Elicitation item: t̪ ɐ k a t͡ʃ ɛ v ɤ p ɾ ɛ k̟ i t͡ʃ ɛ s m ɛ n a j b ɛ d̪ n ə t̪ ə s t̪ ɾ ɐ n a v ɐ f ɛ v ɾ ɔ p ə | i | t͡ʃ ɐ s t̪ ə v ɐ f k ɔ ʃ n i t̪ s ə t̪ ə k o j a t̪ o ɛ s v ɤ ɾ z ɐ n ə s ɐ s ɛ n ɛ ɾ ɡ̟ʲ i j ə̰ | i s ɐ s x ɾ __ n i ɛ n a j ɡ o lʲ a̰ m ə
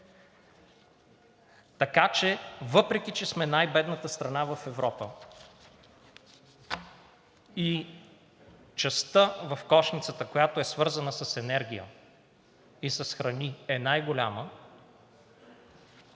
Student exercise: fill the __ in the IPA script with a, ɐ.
ɐ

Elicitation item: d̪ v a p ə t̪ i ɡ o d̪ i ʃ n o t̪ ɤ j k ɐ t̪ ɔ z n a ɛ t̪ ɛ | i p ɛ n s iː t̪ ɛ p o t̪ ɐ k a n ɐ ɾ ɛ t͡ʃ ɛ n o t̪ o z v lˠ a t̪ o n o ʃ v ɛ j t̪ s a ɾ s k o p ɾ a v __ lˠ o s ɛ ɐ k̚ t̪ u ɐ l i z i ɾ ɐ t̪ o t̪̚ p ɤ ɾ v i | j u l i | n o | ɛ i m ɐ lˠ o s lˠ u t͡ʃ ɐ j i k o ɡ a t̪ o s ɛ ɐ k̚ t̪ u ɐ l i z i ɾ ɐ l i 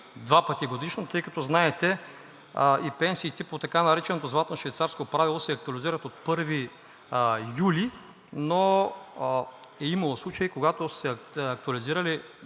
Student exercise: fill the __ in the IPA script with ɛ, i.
i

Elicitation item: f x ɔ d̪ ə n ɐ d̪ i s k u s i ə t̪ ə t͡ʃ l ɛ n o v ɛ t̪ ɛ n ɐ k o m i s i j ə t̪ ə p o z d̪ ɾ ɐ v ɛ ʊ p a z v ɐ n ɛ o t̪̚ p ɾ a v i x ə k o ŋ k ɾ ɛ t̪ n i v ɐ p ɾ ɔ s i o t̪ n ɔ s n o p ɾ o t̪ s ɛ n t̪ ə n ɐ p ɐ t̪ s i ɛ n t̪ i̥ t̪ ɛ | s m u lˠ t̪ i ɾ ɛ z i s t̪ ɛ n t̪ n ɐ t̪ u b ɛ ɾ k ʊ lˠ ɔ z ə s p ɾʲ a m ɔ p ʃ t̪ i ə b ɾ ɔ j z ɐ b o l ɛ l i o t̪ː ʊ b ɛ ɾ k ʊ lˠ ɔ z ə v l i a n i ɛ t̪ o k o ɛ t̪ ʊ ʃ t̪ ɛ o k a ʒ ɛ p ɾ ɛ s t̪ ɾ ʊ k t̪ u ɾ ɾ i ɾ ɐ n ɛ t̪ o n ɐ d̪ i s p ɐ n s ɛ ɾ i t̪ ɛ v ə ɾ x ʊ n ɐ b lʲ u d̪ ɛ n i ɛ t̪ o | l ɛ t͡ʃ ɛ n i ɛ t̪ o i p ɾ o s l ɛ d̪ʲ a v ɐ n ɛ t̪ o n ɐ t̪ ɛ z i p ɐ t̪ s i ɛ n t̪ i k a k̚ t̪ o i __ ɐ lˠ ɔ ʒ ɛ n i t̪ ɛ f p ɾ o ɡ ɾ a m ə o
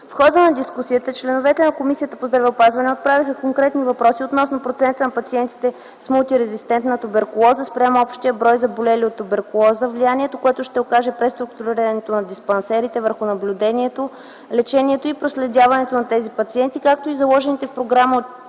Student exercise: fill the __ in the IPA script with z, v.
z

